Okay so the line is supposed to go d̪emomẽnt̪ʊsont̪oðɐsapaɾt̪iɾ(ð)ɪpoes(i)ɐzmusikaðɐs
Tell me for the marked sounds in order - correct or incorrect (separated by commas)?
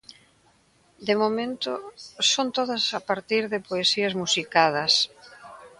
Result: correct, correct